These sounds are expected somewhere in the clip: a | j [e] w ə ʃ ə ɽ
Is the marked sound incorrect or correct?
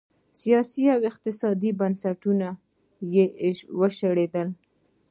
correct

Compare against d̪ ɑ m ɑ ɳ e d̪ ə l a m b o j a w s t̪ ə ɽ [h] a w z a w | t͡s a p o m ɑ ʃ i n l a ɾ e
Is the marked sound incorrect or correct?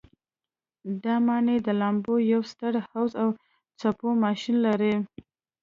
correct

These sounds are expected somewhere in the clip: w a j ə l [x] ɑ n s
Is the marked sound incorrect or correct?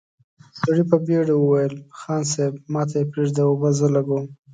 correct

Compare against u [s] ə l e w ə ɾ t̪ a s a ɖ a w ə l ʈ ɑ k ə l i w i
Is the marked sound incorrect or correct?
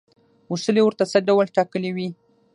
correct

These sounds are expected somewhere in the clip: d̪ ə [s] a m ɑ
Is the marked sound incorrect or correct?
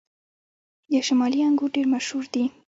incorrect: ʃ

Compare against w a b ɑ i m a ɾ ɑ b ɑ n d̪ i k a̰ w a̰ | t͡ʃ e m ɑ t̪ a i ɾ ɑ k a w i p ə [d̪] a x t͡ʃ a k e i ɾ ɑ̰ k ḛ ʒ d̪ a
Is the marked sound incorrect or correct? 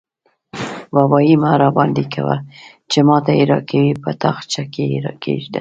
incorrect: t̪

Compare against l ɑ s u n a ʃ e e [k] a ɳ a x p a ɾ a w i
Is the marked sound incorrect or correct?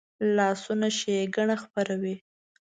incorrect: ɡ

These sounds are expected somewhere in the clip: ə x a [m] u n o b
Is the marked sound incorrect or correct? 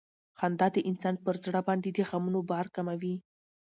correct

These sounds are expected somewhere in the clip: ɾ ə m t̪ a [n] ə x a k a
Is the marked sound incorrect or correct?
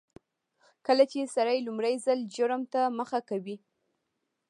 incorrect: m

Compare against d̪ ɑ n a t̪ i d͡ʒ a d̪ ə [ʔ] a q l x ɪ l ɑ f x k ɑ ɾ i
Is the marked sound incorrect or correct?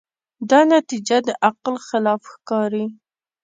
correct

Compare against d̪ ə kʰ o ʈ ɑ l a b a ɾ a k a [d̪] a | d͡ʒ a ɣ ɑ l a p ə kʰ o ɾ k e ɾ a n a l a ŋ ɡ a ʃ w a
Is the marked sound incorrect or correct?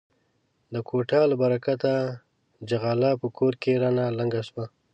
incorrect: t̪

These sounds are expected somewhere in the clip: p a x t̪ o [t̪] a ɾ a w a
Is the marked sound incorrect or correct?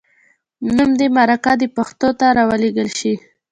correct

